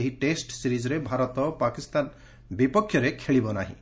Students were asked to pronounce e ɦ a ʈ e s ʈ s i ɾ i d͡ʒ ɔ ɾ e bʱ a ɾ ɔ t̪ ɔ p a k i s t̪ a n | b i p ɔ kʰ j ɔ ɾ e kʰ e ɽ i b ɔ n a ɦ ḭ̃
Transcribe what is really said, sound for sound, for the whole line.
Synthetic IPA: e ɦ i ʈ e s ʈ s i ɾ i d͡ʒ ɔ ɾ e bʱ a ɾ ɔ t̪ ɔ p a k i s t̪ a n | b i p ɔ kʰ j ɔ ɾ e kʰ e ɭ i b ɔ n a ɦ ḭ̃